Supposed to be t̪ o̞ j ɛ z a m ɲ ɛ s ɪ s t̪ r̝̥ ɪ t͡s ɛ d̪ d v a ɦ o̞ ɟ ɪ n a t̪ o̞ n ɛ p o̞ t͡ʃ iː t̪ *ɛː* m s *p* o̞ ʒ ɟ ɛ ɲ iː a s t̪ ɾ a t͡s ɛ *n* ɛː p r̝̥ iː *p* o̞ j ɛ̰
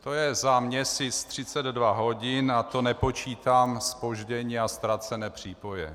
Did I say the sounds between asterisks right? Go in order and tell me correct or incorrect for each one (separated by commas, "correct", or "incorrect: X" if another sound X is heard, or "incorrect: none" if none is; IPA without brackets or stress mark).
incorrect: aː, correct, correct, correct